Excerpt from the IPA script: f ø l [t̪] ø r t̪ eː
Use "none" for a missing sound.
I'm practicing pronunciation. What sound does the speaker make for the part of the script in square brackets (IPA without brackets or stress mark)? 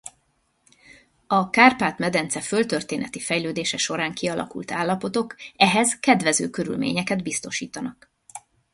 t̪